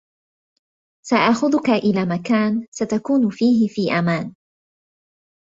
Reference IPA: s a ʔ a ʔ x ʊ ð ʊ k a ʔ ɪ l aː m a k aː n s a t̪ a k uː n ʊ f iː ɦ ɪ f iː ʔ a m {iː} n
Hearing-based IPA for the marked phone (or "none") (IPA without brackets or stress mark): aː